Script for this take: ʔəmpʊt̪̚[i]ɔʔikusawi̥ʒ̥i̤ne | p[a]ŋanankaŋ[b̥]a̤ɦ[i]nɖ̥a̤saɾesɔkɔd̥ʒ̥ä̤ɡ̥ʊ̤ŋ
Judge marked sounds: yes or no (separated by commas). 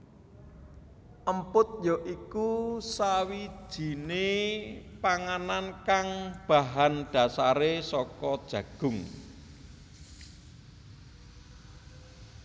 no, yes, yes, no